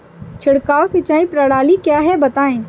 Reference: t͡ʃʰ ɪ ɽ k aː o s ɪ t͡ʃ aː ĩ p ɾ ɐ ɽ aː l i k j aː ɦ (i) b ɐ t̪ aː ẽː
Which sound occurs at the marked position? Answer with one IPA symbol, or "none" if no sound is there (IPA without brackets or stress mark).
ɛ